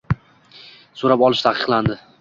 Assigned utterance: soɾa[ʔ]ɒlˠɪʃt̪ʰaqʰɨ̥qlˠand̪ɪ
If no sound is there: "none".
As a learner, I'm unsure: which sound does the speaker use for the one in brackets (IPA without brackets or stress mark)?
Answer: p